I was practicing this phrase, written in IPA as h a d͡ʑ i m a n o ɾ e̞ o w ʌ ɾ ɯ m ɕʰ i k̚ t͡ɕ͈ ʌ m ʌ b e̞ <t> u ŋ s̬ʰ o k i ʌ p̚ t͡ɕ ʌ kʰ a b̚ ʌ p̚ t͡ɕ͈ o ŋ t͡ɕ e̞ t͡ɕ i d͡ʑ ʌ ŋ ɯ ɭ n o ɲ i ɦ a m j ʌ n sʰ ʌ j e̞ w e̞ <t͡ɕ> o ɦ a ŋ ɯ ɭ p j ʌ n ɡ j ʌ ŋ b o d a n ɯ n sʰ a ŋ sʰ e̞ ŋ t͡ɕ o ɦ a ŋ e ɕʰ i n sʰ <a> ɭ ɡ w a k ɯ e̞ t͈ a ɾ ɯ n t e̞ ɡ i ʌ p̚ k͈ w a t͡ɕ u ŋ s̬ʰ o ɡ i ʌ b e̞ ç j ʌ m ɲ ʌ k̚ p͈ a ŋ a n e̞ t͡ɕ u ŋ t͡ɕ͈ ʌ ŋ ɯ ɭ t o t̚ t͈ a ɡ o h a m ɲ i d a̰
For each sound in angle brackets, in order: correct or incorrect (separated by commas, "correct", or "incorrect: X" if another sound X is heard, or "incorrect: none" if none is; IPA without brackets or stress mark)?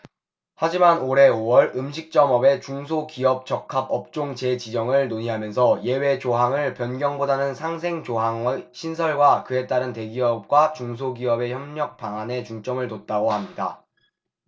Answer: incorrect: t͡ɕ, correct, incorrect: ʌ